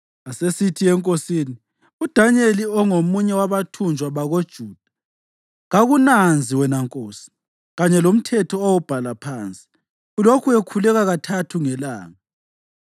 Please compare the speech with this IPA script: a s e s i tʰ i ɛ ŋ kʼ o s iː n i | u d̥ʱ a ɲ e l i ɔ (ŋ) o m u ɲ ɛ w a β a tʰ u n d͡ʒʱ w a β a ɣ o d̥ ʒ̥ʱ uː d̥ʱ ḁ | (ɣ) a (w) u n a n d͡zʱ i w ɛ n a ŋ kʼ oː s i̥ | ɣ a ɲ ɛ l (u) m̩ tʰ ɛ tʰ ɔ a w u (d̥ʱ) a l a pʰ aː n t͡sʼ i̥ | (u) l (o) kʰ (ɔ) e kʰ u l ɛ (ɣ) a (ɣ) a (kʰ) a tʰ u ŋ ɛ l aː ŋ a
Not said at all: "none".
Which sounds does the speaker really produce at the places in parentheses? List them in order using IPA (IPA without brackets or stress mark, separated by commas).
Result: ŋ, ɣ, ɣ, o, b̥ʱ, u, o, u, ɣ, ɣ, tʰ